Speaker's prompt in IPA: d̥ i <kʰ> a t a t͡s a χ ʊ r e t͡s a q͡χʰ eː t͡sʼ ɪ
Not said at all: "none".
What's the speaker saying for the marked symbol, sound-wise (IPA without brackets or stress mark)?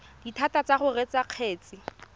tʰ